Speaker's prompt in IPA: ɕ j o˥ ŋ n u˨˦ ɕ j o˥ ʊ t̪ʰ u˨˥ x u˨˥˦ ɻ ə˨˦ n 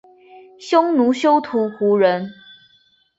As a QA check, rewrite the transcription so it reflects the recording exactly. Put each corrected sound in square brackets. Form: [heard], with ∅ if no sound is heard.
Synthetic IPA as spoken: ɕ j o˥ ŋ n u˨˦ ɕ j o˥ ʊ t̪ʰ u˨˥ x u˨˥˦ ɻ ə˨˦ n